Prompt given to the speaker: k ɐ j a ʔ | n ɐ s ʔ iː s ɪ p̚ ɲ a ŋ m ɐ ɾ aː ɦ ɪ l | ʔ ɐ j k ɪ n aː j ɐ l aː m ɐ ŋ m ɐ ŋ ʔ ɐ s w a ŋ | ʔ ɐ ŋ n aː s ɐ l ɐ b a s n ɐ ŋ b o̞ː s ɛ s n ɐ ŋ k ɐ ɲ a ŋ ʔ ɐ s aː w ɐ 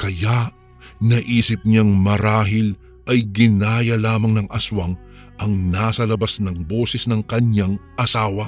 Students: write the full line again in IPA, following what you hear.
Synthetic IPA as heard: k ɐ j a ʔ | n ɐ ʔ iː s ɪ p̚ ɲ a ŋ m ɐ ɾ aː ɦ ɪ l | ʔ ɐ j ɡ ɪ n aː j ɐ l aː m ɐ ŋ n ɐ ŋ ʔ ɐ s w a ŋ | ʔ ɐ ŋ n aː s ɐ l ɐ b a s n ɐ ŋ b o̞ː s ɛ s n ɐ ŋ k ɐ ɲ a ŋ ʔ ɐ s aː w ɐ